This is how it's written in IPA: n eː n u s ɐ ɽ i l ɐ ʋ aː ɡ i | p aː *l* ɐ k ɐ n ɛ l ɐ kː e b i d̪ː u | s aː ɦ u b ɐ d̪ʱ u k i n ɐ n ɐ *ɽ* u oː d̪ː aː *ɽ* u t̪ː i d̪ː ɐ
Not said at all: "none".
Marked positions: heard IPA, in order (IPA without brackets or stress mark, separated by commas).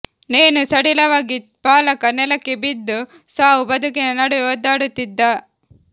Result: l, ɽ, ɽ